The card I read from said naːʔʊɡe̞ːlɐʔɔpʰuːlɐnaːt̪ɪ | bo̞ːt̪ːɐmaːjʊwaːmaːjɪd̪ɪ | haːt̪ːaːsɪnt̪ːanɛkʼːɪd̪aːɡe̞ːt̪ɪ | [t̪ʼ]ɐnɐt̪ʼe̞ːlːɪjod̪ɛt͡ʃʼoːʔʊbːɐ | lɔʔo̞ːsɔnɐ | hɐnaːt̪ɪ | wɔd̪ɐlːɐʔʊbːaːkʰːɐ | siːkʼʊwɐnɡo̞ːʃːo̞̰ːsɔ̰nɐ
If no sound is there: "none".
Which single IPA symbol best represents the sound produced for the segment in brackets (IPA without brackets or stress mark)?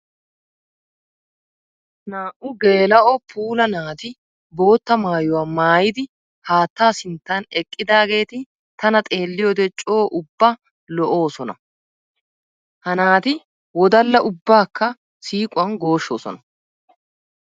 t̪